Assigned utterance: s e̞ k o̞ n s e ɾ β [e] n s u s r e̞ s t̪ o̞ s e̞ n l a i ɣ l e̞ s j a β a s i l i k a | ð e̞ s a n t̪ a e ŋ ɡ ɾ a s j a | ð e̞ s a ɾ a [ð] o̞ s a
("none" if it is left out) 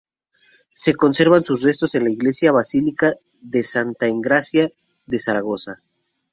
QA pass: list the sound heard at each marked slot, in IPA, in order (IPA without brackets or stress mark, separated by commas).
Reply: a, ɣ